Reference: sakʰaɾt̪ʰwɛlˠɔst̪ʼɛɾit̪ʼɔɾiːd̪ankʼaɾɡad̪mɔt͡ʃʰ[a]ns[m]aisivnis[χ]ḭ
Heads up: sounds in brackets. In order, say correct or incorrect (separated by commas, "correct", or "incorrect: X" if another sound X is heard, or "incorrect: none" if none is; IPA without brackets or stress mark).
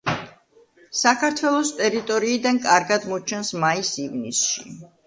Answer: incorrect: ɛ, correct, incorrect: ʃ